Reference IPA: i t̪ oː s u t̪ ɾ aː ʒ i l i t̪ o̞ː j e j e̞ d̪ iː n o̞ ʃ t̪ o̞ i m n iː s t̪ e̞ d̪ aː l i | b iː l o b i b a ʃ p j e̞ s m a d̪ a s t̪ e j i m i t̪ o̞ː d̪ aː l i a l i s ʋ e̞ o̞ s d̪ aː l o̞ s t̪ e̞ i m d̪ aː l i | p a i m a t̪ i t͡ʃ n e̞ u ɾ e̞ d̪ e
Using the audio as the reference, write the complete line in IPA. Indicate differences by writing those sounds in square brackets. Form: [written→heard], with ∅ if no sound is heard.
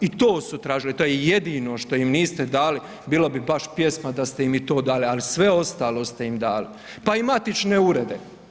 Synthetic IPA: i t̪ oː s u t̪ ɾ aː ʒ i l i t̪ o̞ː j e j e̞ d̪ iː n o̞ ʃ t̪ o̞ i m n iː s t̪ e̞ d̪ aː l i | b iː l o b i b a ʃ p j e̞ s m a d̪ a s t̪ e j i m i t̪ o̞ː d̪ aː l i a l i s ʋ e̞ o̞ s [d̪→t̪] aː l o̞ s t̪ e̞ i m d̪ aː l i | p a i m a t̪ i t͡ʃ n e̞ u ɾ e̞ d̪ e

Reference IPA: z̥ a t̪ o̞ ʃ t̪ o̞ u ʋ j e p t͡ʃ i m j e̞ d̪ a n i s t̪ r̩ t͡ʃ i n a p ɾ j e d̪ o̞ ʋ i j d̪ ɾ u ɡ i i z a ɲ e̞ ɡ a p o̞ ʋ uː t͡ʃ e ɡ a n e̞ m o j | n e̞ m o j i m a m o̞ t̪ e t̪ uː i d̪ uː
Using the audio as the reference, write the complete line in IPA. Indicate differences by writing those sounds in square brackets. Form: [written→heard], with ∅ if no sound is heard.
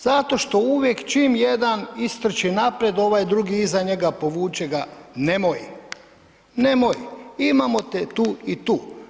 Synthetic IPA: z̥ a t̪ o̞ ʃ t̪ o̞ u ʋ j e [p→k] t͡ʃ i m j e̞ d̪ a n i s t̪ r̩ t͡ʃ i n a p ɾ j e d̪ o̞ ʋ [i→a] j d̪ ɾ u ɡ i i z a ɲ e̞ ɡ a p o̞ ʋ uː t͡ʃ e ɡ a n e̞ m o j | n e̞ m o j i m a m o̞ t̪ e t̪ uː i [d̪→t̪] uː

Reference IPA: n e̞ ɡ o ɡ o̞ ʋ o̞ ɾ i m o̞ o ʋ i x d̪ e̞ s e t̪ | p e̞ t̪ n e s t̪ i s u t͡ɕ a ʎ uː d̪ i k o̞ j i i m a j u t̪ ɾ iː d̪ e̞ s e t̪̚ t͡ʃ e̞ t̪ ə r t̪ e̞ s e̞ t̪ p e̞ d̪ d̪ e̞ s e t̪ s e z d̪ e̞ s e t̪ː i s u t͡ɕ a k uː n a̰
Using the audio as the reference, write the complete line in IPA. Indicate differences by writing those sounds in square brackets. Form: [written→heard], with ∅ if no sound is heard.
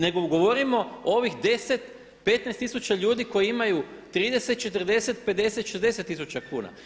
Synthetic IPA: n e̞ ɡ o ɡ o̞ ʋ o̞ ɾ i m o̞ o ʋ i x d̪ e̞ s e t̪ | p e̞ t̪ n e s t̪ i s u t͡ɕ a ʎ uː d̪ i k o̞ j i i m a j u t̪ ɾ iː d̪ e̞ s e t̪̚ t͡ʃ e̞ t̪ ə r [t̪→d̪] e̞ s e̞ t̪ p e̞ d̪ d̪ e̞ s e t̪ [s→ʃ] e z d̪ e̞ s e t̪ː i s u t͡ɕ a k uː n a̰

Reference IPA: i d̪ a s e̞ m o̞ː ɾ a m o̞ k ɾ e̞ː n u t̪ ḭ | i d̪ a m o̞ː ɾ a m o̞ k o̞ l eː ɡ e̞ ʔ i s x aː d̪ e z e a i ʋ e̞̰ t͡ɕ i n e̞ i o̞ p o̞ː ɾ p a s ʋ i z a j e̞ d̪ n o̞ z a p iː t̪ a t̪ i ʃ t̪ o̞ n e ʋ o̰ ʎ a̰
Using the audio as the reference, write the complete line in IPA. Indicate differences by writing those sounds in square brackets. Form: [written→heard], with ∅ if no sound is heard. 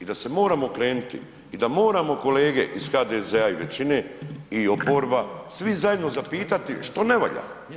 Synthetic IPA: i d̪ a s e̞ m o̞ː ɾ a m o̞ k ɾ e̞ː n u t̪ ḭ | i d̪ a m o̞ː ɾ a m o̞ k o̞ l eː ɡ e̞ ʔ i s x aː d̪ e z e a i ʋ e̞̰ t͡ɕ i n e̞ i o̞ p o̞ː ɾ [p→b] a s ʋ i z a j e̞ d̪ n o̞ z a p iː t̪ a t̪ i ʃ t̪ o̞ n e ʋ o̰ ʎ a̰

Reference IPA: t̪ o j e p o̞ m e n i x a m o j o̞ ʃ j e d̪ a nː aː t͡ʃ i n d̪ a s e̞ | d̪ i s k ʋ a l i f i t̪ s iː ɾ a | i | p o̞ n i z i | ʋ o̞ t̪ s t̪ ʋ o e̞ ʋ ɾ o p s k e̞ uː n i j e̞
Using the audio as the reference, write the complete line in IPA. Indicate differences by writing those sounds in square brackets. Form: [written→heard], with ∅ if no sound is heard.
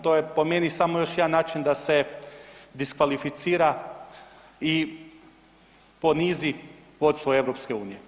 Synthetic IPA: t̪ o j e p o̞ m e n i [x→s] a m o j o̞ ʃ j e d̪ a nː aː t͡ʃ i n d̪ a s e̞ | d̪ i s k ʋ a l i f i t̪ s iː ɾ a | i | p o̞ n i z i | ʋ o̞ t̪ s t̪ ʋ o e̞ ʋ ɾ o p s k e̞ uː n i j e̞

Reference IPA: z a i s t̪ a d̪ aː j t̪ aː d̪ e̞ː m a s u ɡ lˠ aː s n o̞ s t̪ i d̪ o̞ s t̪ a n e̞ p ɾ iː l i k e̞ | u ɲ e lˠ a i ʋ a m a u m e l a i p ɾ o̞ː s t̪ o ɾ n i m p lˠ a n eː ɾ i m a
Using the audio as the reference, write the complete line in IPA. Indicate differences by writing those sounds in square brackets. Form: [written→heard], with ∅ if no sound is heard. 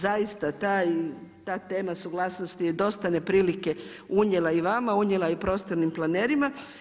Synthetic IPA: z a i s t̪ a [d̪→t̪] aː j t̪ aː [d̪→t̪] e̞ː m a s u ɡ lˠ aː s n o̞ s t̪ i d̪ o̞ s t̪ a n e̞ p ɾ iː l i k e̞ | u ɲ e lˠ a i ʋ a m a u [m→ɲ] e l a i p ɾ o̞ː s t̪ o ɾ n i m p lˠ a n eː ɾ i m a

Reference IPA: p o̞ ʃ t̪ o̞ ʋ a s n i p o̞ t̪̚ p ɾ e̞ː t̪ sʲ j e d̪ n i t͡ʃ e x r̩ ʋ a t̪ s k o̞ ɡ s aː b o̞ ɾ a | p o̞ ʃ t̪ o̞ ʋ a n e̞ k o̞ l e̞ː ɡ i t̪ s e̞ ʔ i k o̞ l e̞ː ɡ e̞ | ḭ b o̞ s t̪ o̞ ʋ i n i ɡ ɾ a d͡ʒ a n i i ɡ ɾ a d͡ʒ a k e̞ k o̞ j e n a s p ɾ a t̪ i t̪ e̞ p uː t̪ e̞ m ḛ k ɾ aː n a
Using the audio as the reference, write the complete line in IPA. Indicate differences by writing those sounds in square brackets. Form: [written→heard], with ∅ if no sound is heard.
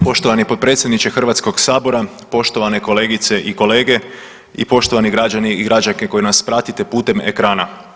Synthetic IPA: p o̞ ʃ t̪ o̞ ʋ a [s→∅] n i p o̞ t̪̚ p ɾ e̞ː t̪ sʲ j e d̪ n i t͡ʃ e x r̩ ʋ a t̪ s k o̞ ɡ s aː b o̞ ɾ a | p o̞ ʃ t̪ o̞ ʋ a n e̞ k o̞ l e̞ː ɡ i t̪ s e̞ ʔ i k o̞ l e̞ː ɡ e̞ | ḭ [b→p] o̞ [s→ʃ] t̪ o̞ ʋ [i→a] n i ɡ ɾ a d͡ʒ a n i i ɡ ɾ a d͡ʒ a k e̞ k o̞ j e n a s p ɾ a t̪ i t̪ e̞ p uː t̪ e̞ m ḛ k ɾ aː n a

